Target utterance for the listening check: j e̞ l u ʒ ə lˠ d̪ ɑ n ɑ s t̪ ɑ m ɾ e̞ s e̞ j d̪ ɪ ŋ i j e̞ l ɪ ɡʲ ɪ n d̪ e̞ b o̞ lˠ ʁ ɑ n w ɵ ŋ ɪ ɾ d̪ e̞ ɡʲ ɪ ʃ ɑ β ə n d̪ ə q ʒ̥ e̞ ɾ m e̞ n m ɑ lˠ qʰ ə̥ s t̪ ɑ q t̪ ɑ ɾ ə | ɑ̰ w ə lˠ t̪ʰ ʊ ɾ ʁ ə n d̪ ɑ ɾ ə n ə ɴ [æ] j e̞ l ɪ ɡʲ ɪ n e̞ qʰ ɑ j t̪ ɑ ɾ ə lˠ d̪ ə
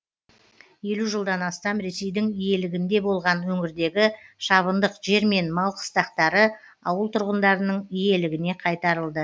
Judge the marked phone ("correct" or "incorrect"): incorrect